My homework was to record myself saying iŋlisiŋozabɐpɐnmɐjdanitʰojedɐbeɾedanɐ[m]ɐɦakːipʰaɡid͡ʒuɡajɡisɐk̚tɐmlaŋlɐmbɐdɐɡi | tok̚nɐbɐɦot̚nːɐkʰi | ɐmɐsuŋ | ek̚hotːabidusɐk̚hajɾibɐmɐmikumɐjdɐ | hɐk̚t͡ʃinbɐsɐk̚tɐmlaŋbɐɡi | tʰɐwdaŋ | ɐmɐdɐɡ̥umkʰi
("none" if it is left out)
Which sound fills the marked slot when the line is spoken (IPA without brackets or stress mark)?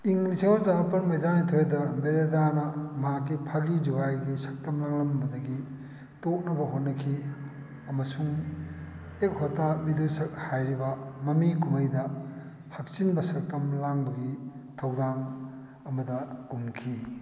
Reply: m